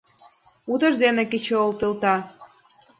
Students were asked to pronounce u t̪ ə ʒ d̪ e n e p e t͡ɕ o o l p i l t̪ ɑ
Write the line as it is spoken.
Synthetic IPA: u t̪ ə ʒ d̪ e n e k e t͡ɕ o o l p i l t̪ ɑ